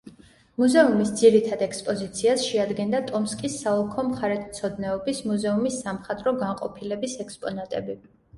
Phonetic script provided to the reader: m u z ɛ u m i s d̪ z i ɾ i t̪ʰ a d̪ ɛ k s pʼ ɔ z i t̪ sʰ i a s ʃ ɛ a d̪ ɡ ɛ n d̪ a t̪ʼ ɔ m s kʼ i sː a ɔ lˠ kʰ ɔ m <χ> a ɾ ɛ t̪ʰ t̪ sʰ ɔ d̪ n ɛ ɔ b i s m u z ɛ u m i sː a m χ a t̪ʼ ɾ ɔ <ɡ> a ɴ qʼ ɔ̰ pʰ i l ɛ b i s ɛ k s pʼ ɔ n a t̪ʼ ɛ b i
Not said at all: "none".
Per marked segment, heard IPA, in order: χ, ɡ

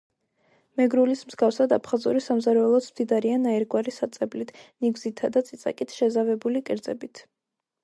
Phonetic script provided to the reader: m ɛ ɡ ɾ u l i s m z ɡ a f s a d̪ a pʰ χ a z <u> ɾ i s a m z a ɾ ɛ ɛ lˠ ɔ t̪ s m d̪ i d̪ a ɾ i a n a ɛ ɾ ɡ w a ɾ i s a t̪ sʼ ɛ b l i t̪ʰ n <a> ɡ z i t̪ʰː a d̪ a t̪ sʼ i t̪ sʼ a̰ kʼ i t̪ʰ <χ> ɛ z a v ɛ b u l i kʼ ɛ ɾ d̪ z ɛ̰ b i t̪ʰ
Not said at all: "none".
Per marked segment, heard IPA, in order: u, i, ʃ

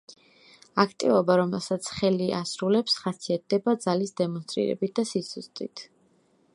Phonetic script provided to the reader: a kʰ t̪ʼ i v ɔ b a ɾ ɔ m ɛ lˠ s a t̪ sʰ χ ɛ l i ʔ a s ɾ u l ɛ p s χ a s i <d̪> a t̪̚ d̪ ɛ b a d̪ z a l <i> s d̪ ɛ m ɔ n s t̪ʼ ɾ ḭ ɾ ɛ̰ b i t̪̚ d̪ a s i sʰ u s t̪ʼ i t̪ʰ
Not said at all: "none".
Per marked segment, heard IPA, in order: none, i

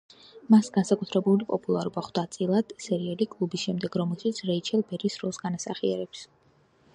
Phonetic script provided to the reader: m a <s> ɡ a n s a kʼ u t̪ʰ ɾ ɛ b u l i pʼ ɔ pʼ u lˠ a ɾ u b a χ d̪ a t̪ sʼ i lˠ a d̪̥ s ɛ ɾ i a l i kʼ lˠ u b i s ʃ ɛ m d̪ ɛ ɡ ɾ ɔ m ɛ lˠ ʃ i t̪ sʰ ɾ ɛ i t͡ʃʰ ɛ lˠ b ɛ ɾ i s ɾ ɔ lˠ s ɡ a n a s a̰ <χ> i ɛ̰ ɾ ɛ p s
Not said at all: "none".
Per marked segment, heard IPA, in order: s, χ

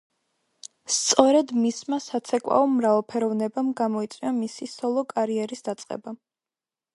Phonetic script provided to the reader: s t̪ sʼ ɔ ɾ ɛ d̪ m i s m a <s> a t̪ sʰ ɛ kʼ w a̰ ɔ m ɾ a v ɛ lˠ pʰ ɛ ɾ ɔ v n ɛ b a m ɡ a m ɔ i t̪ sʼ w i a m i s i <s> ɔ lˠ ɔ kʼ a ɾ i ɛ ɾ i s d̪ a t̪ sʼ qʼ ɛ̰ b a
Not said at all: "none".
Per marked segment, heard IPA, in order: s, s

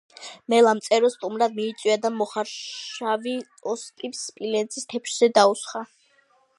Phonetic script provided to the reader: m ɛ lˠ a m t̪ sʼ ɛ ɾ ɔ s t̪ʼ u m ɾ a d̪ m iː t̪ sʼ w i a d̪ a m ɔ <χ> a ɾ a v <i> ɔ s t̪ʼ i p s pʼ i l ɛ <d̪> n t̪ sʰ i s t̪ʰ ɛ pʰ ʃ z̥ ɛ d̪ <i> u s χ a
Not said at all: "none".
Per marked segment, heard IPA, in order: χ, i, none, a

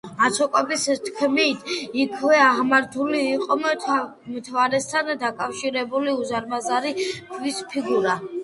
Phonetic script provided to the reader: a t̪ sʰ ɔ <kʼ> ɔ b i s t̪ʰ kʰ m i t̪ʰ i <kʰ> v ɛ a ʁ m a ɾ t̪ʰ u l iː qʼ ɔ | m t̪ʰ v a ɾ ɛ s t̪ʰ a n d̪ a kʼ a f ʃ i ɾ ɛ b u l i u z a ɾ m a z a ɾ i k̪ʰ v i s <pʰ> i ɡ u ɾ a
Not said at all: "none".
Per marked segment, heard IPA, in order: kʼ, kʰ, pʰ

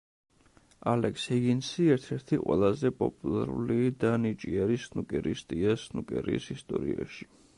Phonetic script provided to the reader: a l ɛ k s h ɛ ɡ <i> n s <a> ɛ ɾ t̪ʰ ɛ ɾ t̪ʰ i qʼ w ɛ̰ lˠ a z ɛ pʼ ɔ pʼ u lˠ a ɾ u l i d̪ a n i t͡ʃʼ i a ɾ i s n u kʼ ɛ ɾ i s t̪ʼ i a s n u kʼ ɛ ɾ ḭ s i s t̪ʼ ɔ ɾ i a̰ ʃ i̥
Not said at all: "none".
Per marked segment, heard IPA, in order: i, i

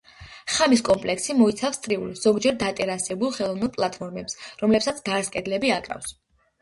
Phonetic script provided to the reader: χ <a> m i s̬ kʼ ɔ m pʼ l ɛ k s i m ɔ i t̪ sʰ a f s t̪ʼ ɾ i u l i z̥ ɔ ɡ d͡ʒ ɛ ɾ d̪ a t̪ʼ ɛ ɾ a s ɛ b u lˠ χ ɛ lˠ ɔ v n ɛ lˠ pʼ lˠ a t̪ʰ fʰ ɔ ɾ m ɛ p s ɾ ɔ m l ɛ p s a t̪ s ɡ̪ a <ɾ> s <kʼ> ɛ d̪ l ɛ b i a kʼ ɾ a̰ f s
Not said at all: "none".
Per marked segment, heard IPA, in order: a, ɾ, kʼ

